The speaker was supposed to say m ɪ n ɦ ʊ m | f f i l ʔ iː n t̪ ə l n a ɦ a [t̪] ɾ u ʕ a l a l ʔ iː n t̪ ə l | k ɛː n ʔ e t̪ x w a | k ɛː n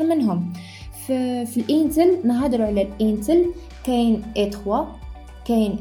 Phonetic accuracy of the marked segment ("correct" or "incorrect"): incorrect